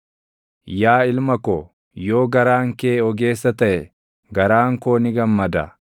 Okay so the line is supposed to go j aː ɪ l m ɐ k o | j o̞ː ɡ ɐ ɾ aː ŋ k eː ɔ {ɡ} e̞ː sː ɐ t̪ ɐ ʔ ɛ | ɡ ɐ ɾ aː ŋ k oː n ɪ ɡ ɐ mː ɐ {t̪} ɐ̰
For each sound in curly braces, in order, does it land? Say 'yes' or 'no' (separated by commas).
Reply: yes, no